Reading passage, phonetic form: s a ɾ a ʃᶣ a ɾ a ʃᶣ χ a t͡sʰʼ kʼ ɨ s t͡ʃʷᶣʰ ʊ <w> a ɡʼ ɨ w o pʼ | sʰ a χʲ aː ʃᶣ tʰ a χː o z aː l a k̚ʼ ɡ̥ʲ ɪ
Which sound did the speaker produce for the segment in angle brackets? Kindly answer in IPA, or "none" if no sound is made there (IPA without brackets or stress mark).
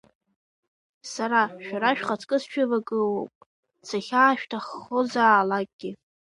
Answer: v